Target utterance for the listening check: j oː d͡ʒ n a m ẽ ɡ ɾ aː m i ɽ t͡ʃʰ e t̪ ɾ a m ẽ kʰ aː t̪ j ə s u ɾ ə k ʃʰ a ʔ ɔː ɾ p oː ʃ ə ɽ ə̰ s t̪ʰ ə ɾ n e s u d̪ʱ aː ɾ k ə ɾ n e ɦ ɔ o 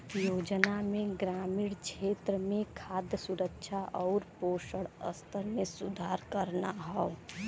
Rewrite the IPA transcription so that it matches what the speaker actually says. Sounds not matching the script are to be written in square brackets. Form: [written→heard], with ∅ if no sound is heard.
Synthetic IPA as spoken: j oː d͡ʒ n a m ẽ ɡ ɾ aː m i ɽ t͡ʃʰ e t̪ ɾ [a→ə] m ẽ kʰ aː [t̪→d̪] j ə s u ɾ ə k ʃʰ a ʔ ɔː ɾ p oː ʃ ə ɽ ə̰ s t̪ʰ ə ɾ [n→m] e s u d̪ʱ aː ɾ k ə ɾ n [e→a] ɦ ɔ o